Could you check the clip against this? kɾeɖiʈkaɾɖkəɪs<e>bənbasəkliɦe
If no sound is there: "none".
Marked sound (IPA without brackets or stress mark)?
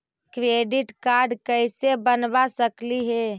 e